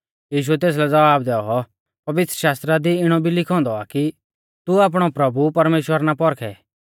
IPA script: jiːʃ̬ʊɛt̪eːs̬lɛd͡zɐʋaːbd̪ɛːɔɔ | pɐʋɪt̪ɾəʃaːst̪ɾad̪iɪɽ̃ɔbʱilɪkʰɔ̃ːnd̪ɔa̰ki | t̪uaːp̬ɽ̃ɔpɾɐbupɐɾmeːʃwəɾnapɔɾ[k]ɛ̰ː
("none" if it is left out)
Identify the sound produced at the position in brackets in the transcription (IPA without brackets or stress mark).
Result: kʰ